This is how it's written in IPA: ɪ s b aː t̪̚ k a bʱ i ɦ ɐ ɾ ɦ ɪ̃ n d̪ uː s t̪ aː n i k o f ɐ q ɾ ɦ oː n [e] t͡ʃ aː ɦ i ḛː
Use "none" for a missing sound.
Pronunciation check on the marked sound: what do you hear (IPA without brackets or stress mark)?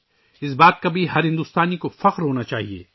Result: a